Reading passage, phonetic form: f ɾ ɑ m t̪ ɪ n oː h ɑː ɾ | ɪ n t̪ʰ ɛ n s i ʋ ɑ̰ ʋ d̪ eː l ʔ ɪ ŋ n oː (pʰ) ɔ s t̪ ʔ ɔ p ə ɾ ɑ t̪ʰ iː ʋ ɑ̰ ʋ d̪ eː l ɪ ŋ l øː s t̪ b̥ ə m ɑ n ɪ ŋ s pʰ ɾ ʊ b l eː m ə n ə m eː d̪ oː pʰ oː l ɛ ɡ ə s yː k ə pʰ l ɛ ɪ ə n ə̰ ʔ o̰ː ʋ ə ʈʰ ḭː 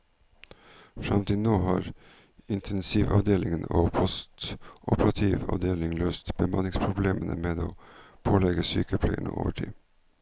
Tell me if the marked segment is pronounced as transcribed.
yes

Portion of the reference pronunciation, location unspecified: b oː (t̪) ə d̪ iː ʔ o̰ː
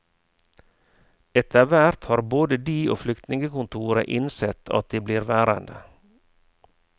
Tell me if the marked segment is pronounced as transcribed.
no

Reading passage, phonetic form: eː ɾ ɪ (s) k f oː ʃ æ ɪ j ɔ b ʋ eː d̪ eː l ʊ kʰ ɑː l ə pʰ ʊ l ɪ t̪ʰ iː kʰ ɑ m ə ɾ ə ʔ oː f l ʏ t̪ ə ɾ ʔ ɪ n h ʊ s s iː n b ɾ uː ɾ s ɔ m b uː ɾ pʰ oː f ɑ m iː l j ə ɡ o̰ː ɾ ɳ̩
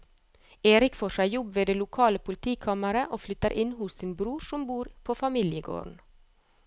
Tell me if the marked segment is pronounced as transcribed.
no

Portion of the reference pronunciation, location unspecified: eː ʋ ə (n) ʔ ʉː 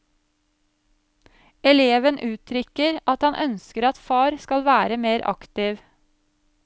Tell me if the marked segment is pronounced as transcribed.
yes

